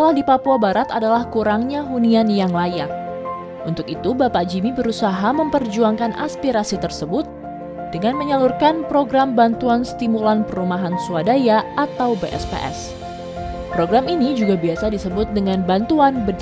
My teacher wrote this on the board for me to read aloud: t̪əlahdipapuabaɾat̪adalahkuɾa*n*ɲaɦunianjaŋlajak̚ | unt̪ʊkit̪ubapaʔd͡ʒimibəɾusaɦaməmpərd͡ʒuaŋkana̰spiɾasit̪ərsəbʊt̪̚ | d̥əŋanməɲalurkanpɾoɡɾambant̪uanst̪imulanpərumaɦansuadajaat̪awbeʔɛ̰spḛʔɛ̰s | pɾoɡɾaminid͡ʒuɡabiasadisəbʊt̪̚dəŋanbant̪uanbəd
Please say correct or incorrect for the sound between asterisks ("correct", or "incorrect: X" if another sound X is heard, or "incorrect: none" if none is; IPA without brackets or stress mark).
incorrect: ŋ